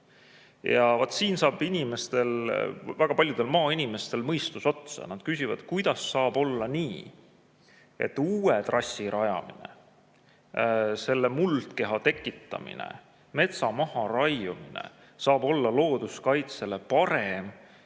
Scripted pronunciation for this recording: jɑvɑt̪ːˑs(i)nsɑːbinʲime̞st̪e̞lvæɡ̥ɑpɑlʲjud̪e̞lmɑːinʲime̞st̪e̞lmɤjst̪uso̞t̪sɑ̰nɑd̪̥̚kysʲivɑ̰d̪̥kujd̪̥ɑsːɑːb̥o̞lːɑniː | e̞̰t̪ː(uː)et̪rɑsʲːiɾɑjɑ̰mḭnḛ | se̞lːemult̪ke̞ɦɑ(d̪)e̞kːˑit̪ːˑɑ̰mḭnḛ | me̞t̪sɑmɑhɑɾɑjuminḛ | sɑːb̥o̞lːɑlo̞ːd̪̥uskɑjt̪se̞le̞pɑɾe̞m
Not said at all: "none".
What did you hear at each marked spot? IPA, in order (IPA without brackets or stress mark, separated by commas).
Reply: iː, uː, t̪